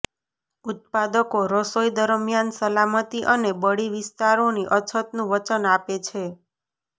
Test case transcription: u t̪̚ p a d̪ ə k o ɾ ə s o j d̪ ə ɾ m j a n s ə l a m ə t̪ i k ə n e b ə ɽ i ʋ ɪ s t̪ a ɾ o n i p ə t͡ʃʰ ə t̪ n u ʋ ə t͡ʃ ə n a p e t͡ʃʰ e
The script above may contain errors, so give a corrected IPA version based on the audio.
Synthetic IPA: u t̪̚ p a d̪ ə k o ɾ ə s o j d̪ ə ɾ m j a n s ə l a m ə t̪ i ʔ ə n e b ə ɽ i ʋ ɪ s t̪ a ɾ o n i ʔ ə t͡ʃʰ ə t̪ n ũ ʋ ə t͡ʃ ə n a p e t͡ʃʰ e